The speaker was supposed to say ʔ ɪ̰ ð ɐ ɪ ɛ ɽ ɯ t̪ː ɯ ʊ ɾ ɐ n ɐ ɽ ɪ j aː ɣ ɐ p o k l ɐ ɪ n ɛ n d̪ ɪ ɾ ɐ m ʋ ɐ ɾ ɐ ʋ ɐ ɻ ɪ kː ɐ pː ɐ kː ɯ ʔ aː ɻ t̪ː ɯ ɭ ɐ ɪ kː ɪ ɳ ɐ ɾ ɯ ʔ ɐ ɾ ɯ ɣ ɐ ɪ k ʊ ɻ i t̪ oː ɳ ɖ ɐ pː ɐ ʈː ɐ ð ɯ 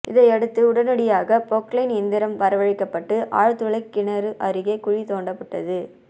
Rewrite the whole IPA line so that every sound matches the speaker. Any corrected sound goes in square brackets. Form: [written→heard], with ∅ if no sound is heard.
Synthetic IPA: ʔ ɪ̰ ð ɐ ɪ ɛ ɽ ɯ t̪ː ɯ ʊ [ɾ→ɽ] ɐ n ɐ ɽ ɪ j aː ɣ ɐ p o k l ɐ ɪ n ɛ n d̪ ɪ ɾ ɐ m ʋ ɐ ɾ ɐ ʋ ɐ ɻ ɪ kː ɐ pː ɐ [kː→ʈː] ɯ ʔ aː ɻ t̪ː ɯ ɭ ɐ ɪ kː ɪ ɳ ɐ ɾ ɯ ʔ ɐ ɾ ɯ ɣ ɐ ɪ k ʊ ɻ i t̪ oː ɳ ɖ ɐ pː ɐ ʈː ɐ ð ɯ